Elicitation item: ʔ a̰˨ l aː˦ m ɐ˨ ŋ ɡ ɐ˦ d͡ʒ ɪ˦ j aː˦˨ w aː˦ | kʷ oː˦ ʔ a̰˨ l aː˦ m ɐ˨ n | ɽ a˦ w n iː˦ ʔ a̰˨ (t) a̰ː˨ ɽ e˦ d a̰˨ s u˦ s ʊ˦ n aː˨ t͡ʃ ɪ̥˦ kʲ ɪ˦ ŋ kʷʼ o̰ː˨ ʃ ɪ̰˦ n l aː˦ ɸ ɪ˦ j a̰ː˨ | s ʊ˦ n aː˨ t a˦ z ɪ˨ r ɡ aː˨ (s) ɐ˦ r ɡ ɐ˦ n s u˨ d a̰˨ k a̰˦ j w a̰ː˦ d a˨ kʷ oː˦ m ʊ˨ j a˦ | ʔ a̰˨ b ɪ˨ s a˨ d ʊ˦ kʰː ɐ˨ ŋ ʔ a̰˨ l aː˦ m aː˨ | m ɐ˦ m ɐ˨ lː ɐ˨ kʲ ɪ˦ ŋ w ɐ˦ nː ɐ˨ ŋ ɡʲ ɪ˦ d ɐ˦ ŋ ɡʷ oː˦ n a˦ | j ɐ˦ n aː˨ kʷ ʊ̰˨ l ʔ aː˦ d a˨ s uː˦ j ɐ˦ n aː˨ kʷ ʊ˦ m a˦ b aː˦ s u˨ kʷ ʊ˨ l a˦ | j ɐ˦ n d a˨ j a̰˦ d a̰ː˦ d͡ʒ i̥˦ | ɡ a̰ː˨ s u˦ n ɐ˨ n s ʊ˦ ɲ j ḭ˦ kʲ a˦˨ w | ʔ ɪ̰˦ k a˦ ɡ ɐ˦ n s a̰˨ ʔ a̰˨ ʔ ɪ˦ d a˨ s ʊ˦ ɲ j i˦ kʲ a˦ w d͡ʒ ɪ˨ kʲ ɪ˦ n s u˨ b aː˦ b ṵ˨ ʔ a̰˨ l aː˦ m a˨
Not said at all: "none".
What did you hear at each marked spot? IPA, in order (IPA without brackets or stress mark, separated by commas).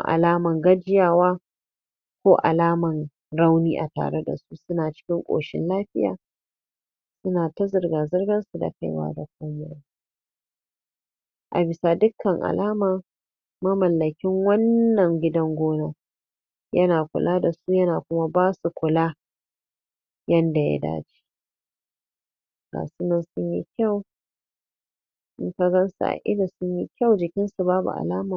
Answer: t, z